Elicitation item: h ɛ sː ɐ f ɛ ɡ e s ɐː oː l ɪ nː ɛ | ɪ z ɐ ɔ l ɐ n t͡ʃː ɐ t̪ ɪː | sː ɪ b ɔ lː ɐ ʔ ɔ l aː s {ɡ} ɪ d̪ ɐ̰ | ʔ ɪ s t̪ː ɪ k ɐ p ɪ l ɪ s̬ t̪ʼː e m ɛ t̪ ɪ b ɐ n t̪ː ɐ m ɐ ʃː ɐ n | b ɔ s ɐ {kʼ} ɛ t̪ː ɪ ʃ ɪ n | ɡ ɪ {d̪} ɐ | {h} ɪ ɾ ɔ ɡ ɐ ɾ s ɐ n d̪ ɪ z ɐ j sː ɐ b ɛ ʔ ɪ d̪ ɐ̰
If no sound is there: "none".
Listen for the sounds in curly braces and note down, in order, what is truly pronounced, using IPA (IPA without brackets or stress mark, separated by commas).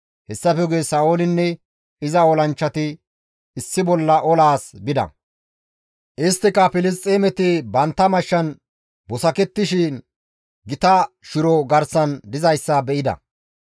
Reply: b, k, t̪, ʃ